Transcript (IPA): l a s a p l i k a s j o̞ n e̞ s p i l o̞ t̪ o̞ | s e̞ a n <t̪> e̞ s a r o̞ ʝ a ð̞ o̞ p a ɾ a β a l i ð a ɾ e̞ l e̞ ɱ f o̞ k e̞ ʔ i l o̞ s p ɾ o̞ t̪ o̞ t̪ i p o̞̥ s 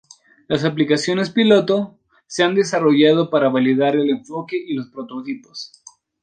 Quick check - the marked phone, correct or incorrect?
incorrect